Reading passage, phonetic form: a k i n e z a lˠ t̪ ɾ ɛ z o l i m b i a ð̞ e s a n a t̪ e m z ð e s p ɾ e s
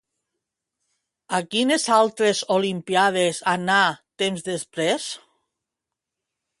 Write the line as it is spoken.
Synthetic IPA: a k i n e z a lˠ t̪ ɾ e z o l i m p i a ð̞ e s a n a t̪ e m z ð e s p ɾ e s

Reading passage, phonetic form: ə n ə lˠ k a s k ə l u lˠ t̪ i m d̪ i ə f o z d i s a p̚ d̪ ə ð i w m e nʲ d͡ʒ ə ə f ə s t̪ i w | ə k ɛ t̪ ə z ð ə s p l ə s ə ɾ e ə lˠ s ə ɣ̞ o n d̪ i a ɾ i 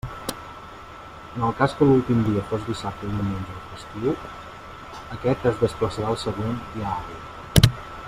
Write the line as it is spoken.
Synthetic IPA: ə n ə lˠ k a s k ə l u lˠ t̪ i m d̪ i ə f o z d i s a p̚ t̪ ə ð i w m e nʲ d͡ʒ ə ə f ə s t̪ i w | ə k ɛ t̪ ə z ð ə s p l ə s ə ɾ a ə lˠ s ə ɣ̞ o n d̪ i a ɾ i

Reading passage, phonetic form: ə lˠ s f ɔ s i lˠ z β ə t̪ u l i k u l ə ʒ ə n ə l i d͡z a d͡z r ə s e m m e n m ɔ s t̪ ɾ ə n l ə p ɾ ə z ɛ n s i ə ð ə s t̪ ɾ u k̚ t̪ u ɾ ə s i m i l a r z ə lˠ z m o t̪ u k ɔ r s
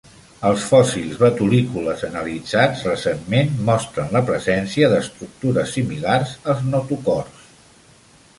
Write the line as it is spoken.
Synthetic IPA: ə lˠ s f ɔ s i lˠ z β ə t̪ u l i k u l ə z ə n ə l i d͡z a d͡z r ə s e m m e n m ɔ s t̪ ɾ ə n l ə p ɾ ə z ɛ n s i ə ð ə s t̪ ɾ u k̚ t̪ u ɾ ə s i m i l a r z ə lˠ z n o t̪ u k ɔ r s

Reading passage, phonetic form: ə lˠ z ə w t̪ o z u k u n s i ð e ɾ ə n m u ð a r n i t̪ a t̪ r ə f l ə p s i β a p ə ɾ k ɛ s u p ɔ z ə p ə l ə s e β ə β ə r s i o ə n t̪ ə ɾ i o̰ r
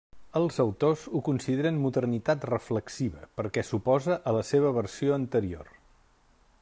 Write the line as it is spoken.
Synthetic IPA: ə lˠ z ə w t̪ o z u k u n s i ð e ɾ ə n m u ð ə r n i t̪ a t̪ r ə f l ə k s i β ə p ə ɾ k ɛ s u p ɔ z ə ʔ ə l ə s e β ə β ə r s i o ə n t̪ ə ɾ i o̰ r

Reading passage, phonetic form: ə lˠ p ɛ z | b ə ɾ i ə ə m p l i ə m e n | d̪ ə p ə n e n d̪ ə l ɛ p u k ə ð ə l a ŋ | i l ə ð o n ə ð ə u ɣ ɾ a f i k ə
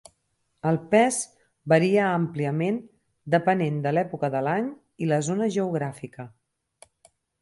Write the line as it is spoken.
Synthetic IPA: ə lˠ p ɛ z | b ə ɾ i ə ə m p l i ə m e n | d̪ ə p ə n e n d̪ ə l ɛ p u k ə ð ə l a ɲ | i l ə z o n ə ʒ ə u ɣ ɾ a f i k ə

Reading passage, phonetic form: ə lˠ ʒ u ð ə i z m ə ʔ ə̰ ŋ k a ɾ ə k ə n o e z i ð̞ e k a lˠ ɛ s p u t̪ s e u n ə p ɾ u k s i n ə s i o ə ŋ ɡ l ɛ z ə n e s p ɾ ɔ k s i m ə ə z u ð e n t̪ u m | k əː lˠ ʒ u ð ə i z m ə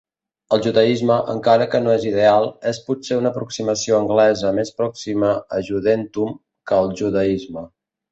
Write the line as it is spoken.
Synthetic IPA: ə lˠ ʒ u ð ə i z m ə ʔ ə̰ ŋ k a ɾ ə k ə n o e z i ð̞ e a lˠ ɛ s p u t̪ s e u n ə p ɾ u k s i m ə s i o ə ŋ ɡ l ɛ z ə m e s p ɾ ɔ k s i m ə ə ʒ u ð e n t̪ u m | k əː lˠ ʒ u ð ə i z m ə

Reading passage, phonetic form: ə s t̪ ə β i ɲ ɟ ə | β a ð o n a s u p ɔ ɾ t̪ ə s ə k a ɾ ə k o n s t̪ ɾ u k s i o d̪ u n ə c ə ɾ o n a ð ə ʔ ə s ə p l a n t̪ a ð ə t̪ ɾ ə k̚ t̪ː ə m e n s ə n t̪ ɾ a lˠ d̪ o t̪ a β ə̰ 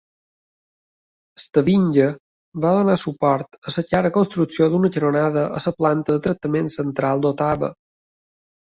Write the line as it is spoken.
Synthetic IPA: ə s t̪ ə β i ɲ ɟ ə | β a ð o n a s u p ɔ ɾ t̪ ə s ə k a ɾ ə k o n s t̪ ɾ u k s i o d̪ u n ə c ə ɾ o n a ð ə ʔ ə s ə p l a n t̪ ə ð ə t̪ ɾ ə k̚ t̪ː ə m e n s ə n t̪ ɾ a lˠ d̪ o t̪ a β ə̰

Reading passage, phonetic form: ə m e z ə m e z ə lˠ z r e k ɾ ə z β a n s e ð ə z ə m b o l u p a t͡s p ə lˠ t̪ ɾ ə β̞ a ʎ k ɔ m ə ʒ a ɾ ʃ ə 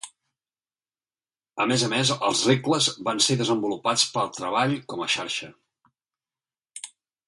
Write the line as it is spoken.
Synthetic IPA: ə m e z ə m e z ə lˠ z r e k l ə z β a n s e ð ə z ə m b u l u p a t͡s p ə lˠ t̪ ɾ ə β̞ a ʎ k ɔ m ə ʃ a ɾ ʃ ə

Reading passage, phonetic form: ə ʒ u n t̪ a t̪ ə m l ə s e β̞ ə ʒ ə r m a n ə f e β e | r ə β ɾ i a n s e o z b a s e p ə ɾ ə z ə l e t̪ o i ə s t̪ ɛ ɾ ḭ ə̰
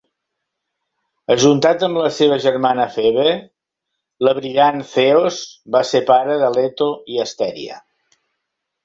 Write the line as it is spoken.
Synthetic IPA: ə ʒ u n t̪ a t̪ ə m l ə s e β̞ ə ʒ ə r m a n ə f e β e | l ə β ɾ i a n θ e o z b a s e p a ɾ ə ð ə l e t̪ o i ə s t̪ ɛ ɾ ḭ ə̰

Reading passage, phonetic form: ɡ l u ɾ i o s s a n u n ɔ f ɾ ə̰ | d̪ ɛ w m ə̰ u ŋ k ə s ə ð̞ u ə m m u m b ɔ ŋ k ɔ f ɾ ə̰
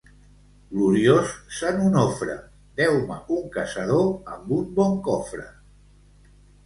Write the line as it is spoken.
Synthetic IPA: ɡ l u ɾ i o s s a n u n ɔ f ɾ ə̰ | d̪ ɛ w m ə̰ u ŋ k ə s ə ð̞ o ə m b u m b ɔ ŋ k ɔ f ɾ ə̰

